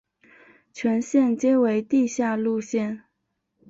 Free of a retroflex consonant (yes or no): yes